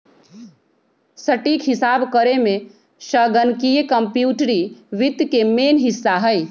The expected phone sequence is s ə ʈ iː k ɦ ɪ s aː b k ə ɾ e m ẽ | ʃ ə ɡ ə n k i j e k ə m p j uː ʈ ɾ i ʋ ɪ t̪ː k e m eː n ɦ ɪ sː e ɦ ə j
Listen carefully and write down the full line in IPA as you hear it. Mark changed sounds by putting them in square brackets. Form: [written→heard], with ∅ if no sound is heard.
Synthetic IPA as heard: s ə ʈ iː k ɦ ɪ s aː b k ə ɾ e m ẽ | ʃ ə ɡ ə n k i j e k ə m p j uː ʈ ɾ i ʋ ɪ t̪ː k e m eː n ɦ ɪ sː [e→a] ɦ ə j

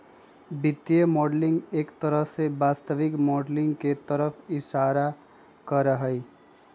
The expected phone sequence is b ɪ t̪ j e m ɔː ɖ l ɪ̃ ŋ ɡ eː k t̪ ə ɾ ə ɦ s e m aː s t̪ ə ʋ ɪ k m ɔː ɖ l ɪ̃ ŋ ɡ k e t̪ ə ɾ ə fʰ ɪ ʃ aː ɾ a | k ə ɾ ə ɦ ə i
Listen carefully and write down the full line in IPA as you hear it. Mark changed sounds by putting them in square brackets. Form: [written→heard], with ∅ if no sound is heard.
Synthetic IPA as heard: b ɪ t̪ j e m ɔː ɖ l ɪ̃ ŋ ɡ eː k t̪ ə ɾ ə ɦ s e [m→b] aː s t̪ ə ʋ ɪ k m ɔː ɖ l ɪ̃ ŋ ɡ k e t̪ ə ɾ ə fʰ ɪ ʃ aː ɾ a | k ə ɾ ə ɦ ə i

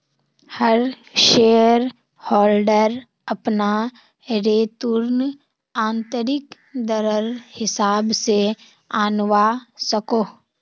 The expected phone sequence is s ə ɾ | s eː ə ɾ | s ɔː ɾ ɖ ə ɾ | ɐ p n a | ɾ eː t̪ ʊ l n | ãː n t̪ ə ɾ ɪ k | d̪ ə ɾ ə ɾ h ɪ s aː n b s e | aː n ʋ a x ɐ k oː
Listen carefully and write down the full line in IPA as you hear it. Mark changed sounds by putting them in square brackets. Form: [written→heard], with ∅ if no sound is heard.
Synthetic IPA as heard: [s→h] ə ɾ | [s→ʃ] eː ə ɾ | [s→h] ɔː [ɾ→l] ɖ ə ɾ | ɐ p n a | ɾ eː t̪ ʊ [l→ɾ] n | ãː n t̪ ə ɾ ɪ k | d̪ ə ɾ ə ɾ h ɪ s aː [n→∅] b s e | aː n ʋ a [x→s] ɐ k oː

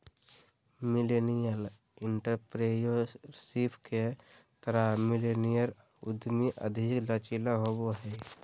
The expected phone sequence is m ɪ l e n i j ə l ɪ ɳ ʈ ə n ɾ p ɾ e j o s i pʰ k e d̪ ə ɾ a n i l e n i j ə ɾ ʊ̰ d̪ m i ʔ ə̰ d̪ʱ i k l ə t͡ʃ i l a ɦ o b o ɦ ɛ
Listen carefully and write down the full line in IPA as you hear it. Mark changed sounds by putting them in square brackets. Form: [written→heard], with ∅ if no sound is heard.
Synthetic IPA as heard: m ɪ l e n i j ə l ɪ ɳ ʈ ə [n→∅] ɾ p ɾ e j o s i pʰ k e [d̪→t̪] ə ɾ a [n→m] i l e n i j ə ɾ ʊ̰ d̪ m i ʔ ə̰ d̪ʱ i k l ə t͡ʃ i l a ɦ o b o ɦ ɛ

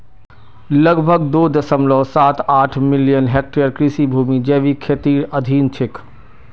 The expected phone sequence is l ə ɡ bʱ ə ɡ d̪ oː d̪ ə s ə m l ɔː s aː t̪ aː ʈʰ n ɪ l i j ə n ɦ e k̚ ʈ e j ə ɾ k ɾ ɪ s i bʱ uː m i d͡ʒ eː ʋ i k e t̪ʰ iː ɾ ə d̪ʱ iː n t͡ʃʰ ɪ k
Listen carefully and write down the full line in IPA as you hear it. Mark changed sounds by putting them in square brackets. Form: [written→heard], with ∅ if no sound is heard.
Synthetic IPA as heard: l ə ɡ bʱ ə ɡ d̪ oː d̪ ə s ə m l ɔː s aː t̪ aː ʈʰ [n→m] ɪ l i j ə n ɦ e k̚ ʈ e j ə ɾ k ɾ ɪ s i bʱ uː m i d͡ʒ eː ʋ i [k→kʰ] e [t̪ʰ→t̪] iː ɾ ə d̪ʱ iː n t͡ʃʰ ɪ k

